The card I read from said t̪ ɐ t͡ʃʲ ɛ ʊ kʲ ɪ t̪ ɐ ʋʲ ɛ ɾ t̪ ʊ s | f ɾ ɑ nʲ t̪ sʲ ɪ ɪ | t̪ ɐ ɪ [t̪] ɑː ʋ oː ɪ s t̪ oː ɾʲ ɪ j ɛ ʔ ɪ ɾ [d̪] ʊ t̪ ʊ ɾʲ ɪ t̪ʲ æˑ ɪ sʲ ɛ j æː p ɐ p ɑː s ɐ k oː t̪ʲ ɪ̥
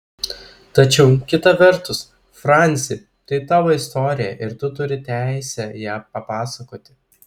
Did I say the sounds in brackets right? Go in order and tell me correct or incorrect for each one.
correct, incorrect: t̪

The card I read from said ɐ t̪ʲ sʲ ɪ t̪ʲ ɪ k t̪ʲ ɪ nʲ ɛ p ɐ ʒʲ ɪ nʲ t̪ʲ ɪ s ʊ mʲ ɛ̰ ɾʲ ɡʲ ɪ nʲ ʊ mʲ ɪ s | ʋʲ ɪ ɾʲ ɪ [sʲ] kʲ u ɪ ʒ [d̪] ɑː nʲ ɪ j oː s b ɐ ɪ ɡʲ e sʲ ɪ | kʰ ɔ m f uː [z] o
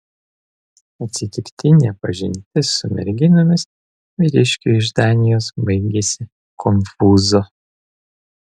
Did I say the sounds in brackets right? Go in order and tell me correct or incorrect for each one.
incorrect: ʃʲ, correct, correct

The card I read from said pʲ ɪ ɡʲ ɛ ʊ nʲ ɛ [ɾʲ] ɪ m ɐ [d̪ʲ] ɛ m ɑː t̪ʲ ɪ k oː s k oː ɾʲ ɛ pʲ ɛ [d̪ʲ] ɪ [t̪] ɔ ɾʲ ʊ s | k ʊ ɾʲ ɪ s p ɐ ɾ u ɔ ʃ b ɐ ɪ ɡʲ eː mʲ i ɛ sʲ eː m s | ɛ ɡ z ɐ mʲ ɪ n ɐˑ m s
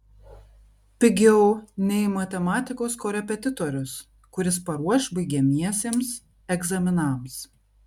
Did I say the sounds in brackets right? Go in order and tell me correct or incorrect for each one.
incorrect: none, incorrect: t̪ʲ, incorrect: t̪ʲ, correct

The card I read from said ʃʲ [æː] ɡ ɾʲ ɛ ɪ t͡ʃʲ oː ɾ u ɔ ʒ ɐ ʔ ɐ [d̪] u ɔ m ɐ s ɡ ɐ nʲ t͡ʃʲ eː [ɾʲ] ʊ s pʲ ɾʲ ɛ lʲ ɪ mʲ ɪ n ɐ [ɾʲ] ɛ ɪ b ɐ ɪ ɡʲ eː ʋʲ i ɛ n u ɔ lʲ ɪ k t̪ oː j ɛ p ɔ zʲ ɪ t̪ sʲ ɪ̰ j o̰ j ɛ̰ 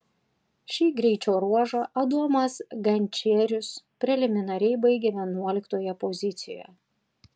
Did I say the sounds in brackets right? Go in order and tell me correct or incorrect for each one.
incorrect: iː, correct, correct, correct

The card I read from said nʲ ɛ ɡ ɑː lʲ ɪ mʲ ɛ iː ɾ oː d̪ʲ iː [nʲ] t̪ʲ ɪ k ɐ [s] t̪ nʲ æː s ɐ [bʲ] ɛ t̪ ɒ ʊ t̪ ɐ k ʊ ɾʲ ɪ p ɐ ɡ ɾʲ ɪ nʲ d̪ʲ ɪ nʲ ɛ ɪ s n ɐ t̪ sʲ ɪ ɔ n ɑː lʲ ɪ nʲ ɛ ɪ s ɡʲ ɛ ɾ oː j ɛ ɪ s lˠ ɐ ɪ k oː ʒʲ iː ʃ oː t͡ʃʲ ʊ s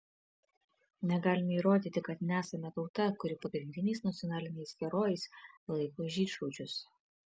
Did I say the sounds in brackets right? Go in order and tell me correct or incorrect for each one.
incorrect: none, incorrect: none, incorrect: mʲ

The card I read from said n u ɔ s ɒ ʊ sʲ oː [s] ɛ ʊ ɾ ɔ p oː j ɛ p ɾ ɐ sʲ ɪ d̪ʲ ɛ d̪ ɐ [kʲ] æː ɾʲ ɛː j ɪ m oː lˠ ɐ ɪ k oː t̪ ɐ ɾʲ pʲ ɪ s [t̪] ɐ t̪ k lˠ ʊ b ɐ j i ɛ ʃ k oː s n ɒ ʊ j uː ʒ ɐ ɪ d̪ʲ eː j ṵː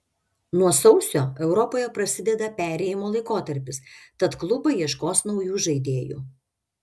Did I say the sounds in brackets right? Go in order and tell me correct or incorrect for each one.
incorrect: none, incorrect: pʲ, correct

